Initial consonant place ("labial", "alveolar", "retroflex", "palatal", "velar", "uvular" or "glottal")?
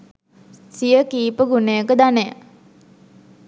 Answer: alveolar